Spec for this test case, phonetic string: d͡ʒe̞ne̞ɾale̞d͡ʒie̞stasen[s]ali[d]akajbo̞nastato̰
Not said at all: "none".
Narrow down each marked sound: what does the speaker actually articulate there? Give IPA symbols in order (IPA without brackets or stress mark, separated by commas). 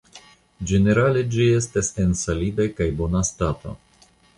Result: s, d